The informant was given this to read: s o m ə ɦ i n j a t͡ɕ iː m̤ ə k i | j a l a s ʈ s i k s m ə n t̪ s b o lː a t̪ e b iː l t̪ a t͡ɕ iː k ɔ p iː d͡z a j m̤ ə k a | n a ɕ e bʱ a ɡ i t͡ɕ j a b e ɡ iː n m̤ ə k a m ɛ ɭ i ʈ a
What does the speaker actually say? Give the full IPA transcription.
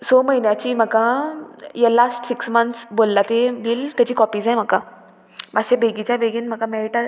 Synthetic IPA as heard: s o m ə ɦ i n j a t͡ɕ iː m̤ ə k a | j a l a s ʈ s i k s m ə n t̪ s b o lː a t̪ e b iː l t̪ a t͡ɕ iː k ɔ p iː d͡z a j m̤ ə k a | m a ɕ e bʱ e ɡ i t͡ɕ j a b e ɡ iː n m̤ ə k a m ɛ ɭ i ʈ a